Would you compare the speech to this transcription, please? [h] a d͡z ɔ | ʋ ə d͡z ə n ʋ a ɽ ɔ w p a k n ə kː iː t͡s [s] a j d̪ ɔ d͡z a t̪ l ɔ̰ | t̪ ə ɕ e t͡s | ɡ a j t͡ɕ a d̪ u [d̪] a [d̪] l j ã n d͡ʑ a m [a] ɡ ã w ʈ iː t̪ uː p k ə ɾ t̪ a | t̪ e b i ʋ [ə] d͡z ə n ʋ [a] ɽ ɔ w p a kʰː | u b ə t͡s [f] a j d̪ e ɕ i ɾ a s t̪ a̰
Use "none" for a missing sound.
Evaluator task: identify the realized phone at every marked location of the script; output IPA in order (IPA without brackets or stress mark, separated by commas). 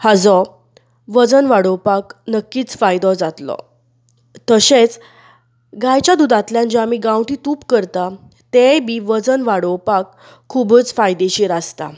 h, f, d̪, t̪, i, ə, a, f